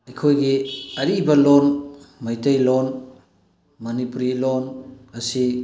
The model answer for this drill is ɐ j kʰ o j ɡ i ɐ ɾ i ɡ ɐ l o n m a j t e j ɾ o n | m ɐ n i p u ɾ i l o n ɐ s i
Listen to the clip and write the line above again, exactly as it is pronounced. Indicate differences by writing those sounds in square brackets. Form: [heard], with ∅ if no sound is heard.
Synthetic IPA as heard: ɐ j kʰ o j ɡ i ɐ ɾ i [b] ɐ l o n m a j t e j [l] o n | m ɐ n i p u ɾ i l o n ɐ s i